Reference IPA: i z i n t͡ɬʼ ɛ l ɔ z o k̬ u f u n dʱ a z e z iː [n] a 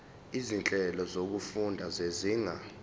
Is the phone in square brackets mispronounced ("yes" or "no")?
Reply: yes